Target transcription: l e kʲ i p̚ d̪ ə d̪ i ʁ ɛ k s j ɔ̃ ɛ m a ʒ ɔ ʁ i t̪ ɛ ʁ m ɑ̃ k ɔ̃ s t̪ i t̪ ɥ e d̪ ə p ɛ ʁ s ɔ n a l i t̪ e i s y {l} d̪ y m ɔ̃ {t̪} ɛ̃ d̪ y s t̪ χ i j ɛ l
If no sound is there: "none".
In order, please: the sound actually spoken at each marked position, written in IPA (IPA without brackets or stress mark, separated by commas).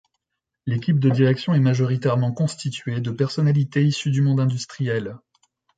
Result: none, d̪